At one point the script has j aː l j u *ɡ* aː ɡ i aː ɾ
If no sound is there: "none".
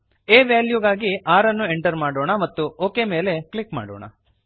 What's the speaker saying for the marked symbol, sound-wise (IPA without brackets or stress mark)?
ɡ